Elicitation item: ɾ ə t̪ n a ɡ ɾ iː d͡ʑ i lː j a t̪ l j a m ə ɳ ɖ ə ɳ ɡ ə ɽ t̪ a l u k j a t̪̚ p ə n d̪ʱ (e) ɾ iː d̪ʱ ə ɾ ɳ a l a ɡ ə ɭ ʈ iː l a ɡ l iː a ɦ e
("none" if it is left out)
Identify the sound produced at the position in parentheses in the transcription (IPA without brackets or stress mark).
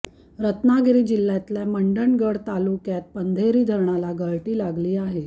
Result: e